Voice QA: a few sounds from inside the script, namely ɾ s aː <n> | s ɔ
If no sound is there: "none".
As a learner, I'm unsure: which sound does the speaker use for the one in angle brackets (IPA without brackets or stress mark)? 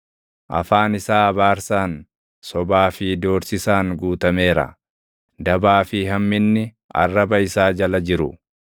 n